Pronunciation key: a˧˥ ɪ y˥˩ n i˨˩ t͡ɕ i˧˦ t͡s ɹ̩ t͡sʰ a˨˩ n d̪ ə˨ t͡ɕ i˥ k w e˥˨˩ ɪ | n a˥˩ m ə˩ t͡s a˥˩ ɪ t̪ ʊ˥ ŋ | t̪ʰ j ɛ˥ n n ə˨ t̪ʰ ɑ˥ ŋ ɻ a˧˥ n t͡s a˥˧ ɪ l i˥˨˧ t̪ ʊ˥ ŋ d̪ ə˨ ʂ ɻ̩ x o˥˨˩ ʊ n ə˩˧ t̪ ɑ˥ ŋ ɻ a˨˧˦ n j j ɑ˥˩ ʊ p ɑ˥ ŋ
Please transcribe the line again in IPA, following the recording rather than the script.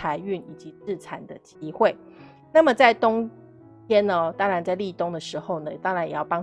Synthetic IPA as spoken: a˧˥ ɪ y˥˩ n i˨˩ t͡ɕ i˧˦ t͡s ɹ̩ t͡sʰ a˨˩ n d̪ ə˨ t͡ɕ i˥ x w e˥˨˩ ɪ | n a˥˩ m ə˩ t͡s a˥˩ ɪ t̪ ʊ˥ ŋ | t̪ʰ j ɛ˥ n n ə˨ t̪ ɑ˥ ŋ ɻ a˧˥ n t͡s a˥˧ ɪ l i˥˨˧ t̪ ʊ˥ ŋ d̪ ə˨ ʂ ɻ̩ x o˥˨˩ ʊ n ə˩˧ t̪ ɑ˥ ŋ ɻ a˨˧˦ n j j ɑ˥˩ ʊ p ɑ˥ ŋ

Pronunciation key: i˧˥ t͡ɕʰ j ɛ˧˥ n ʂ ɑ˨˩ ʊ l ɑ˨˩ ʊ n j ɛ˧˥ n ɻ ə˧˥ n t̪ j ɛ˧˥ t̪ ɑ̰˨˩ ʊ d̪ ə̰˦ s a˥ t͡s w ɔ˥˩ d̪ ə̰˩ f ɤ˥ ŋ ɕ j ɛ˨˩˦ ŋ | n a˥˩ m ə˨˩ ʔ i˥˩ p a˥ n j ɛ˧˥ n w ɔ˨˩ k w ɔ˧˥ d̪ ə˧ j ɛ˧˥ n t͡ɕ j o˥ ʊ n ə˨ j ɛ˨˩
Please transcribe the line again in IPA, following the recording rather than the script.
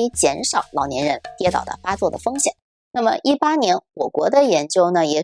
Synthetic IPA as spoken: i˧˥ t͡ɕ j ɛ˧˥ n ʂ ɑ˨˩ ʊ l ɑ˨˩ ʊ n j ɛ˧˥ n ɻ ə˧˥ n t̪ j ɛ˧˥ t̪ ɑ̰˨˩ ʊ d̪ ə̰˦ f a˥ t͡s w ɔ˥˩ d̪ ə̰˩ f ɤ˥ ŋ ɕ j ɛ˨˩˦ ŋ | n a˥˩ m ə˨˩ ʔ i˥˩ p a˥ n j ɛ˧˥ n w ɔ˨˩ k w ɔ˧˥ d̪ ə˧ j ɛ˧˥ n t͡ɕ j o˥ ʊ n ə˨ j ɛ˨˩

